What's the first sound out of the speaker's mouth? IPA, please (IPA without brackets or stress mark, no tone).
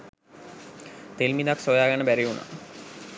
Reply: t̪